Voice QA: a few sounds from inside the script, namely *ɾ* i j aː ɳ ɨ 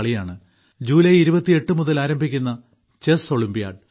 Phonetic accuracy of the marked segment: incorrect: ɭ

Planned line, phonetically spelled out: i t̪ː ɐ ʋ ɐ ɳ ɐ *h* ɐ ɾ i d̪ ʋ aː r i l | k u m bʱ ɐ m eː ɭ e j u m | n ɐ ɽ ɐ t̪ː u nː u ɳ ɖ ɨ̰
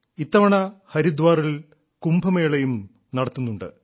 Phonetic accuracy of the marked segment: correct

